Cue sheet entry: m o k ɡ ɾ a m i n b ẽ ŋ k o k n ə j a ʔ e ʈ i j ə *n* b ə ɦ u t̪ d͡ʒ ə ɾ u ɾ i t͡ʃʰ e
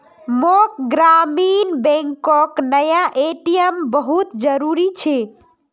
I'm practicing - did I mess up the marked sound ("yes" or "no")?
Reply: yes